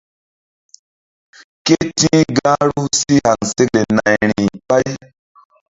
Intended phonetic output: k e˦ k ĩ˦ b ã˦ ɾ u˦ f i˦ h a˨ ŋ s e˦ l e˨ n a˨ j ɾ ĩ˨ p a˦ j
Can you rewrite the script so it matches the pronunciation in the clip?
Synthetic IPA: k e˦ t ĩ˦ ɡ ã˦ ɾ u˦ s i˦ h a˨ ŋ s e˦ l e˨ n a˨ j ɾ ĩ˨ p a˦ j